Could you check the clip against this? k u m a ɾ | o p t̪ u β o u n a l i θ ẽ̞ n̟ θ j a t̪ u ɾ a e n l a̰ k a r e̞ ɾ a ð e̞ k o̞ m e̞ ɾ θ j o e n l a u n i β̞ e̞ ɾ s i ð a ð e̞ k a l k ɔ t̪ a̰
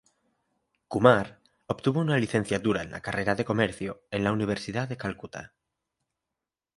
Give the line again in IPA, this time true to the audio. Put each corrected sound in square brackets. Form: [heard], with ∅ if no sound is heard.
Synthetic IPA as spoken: k u m a ɾ | o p t̪ u β o u n a l i θ [e̞] n̟ θ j a t̪ u ɾ a e n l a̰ k a r e̞ ɾ a ð e̞ k o̞ m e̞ ɾ θ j o e n l a u n i β̞ e̞ ɾ s i ð a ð e̞ k a l k [u] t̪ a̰

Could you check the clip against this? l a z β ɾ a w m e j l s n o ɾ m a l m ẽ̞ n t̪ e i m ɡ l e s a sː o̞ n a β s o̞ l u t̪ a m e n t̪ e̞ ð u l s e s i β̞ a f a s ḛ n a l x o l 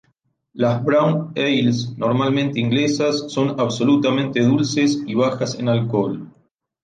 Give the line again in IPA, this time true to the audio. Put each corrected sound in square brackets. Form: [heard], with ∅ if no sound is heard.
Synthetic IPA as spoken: l a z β ɾ a w [n] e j l s n o ɾ m a l m ẽ̞ n t̪ e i [ŋ] ɡ l e s a sː o̞ n a β s o̞ l u t̪ a m [ẽ] n t̪ e̞ ð u l s e s i β̞ a [x] a s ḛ n a l [k] o l

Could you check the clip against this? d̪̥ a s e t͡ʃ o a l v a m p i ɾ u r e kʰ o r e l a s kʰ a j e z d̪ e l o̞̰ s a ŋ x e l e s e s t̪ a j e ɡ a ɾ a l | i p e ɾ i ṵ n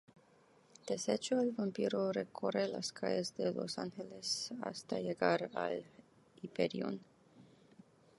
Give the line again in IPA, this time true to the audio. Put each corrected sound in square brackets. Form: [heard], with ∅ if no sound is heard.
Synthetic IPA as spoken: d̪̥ [e] s e t͡ʃ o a l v a m p i ɾ [o] r e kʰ o r e l a s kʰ a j e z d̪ e l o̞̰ s a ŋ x e l e s [a] s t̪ a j e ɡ a ɾ a l | i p e ɾ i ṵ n

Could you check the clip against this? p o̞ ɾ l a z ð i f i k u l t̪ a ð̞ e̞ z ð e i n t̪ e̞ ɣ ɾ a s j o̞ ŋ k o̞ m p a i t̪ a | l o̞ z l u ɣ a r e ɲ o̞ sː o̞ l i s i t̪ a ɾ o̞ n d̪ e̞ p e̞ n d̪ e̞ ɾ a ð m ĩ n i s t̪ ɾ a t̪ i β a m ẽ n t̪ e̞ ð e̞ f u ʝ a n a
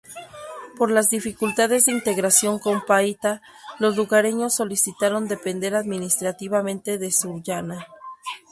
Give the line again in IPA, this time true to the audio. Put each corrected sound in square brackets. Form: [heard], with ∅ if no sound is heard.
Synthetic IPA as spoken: p o̞ ɾ l a z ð i f i k u l t̪ a ð̞ e̞ z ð e i n t̪ e̞ ɣ ɾ a s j o̞ ŋ k o̞ m p a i t̪ a | l o̞ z l u ɣ a [ɾ] e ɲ o̞ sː o̞ l i s i t̪ a ɾ o̞ n d̪ e̞ p e̞ n d̪ e̞ ɾ a ð m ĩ n i s t̪ ɾ a t̪ i β a m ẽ n t̪ e̞ ð e̞ [s] u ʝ a n a

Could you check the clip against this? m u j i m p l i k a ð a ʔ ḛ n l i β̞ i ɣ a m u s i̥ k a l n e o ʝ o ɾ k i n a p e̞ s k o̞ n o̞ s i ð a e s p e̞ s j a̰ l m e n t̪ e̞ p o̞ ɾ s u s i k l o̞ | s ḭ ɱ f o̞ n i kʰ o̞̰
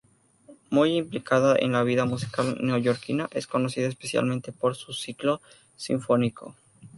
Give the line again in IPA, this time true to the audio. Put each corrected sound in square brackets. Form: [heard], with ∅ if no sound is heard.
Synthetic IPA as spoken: m u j i m p l i k a ð a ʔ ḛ n l [a] β̞ i [ð] a m u s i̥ k a l n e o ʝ o ɾ k i n a [ʔ] e̞ s k o̞ n o̞ s i ð a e s p e̞ s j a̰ l m e n t̪ e̞ p o̞ ɾ s u s i k l o̞ | s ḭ ɱ f o̞ n i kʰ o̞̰

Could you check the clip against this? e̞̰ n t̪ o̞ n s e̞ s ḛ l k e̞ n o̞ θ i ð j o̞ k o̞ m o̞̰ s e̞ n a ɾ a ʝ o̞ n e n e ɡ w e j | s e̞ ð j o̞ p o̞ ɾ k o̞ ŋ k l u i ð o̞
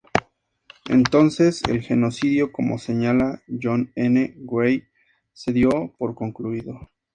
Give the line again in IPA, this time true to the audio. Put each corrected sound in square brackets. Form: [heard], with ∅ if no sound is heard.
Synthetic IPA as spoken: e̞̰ n t̪ o̞ n s e̞ s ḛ l [x] e̞ n o̞ [s] i ð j o̞ k o̞ m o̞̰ s e̞ [ɲ] a [l] a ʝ o̞ n e n e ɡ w e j | s e̞ ð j o̞ p o̞ ɾ k o̞ ŋ k l u i ð o̞

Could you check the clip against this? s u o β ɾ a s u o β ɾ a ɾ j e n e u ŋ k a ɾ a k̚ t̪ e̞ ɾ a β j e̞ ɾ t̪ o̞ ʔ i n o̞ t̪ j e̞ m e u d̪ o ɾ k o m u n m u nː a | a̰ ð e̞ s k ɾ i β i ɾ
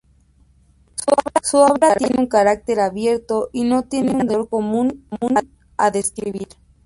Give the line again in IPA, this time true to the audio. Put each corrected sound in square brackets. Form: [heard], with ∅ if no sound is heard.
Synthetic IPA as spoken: s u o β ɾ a s u o β ɾ a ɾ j e n e u ŋ k a ɾ a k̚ t̪ e̞ ɾ a β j e̞ ɾ t̪ o̞ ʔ i n o̞ t̪ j e̞ [n] e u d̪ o ɾ k o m u n m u [n] a | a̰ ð e̞ s k ɾ i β i ɾ

